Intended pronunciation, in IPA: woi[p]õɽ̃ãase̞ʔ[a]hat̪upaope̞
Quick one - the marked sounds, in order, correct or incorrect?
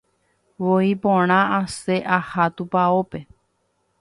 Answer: correct, correct

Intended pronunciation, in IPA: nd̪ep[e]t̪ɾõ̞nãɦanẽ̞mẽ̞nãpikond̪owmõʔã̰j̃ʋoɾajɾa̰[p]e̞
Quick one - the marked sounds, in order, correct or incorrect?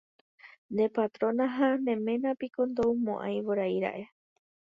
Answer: incorrect: a, incorrect: ʔ

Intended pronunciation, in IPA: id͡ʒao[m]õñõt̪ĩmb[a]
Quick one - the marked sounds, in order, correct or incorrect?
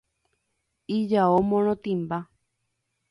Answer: correct, correct

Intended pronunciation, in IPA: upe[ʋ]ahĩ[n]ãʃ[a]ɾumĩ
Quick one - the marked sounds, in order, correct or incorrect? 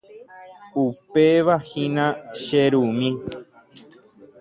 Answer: correct, correct, incorrect: e

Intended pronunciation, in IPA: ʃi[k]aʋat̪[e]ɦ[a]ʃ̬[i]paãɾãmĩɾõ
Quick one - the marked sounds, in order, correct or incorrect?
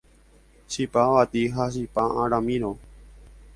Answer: incorrect: p, incorrect: i, correct, correct

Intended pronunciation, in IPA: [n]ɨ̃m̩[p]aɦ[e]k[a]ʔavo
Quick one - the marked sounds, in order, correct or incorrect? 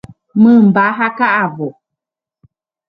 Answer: incorrect: m, incorrect: b, incorrect: a, correct

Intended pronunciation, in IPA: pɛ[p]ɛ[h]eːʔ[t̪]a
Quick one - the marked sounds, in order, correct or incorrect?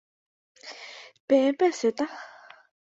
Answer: correct, incorrect: s, correct

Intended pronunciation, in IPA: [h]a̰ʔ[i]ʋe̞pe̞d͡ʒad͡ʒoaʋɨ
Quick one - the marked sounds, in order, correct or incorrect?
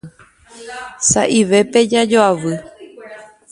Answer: incorrect: s, correct

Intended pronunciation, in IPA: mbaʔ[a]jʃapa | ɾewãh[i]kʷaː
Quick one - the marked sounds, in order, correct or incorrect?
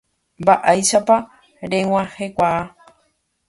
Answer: correct, incorrect: e

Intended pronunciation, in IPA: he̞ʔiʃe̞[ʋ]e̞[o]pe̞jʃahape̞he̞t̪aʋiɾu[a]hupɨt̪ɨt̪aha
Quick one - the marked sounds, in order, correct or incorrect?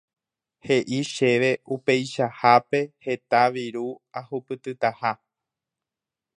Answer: correct, incorrect: u, correct

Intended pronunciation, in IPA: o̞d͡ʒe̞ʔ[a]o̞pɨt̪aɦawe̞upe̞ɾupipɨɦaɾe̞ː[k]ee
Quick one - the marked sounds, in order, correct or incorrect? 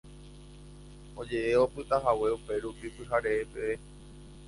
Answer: incorrect: e, incorrect: p

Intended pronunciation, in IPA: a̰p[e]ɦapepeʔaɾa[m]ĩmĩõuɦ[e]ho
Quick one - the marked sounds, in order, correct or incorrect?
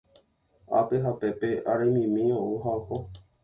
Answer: correct, correct, incorrect: a

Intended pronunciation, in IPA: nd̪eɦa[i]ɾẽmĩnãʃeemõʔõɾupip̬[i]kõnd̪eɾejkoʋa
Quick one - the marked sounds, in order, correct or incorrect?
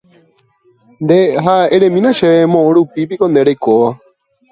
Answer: incorrect: e, correct

